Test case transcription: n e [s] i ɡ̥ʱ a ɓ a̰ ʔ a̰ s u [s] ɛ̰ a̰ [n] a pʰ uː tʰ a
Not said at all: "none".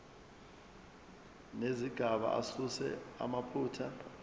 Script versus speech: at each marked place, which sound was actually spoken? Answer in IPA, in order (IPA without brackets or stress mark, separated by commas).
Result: z, s, m